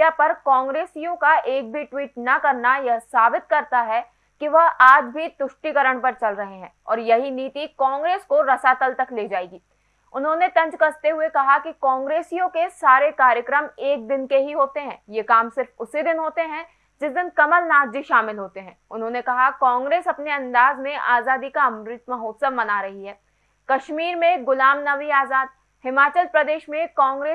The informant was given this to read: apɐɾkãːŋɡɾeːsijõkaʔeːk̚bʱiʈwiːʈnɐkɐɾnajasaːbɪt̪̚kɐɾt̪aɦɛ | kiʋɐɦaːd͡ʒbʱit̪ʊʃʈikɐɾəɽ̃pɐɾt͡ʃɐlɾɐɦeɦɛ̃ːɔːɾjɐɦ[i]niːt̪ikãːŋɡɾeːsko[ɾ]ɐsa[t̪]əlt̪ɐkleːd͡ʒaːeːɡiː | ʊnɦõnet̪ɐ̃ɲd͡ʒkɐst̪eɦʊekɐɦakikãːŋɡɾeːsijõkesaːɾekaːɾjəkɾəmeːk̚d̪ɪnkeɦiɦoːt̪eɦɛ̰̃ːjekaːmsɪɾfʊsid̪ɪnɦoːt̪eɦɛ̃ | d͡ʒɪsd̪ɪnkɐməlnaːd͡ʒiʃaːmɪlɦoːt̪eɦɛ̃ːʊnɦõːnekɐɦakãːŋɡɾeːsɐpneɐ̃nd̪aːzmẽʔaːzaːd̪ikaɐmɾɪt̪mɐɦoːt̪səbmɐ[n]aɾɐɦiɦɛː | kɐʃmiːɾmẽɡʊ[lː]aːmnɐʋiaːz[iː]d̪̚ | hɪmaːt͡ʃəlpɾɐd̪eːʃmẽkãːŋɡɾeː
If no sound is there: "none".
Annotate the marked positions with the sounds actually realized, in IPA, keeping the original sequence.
i, ɾ, t̪, n, l, aː

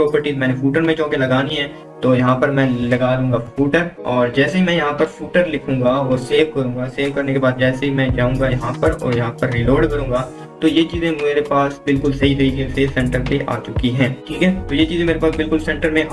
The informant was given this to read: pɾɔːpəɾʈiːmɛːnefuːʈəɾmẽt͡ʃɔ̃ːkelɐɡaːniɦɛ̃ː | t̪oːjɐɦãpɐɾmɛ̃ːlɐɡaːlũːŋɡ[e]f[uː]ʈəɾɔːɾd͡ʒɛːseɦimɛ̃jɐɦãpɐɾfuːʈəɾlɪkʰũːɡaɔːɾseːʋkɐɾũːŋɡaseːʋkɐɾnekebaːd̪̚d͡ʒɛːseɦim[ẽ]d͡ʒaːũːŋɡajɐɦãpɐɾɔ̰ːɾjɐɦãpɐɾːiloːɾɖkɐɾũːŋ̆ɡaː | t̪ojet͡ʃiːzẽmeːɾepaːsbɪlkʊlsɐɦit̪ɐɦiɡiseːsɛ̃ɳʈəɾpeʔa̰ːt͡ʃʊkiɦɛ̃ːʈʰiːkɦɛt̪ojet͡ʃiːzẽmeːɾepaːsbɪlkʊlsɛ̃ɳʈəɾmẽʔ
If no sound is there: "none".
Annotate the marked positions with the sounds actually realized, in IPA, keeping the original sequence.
a, uː, ɛ̃

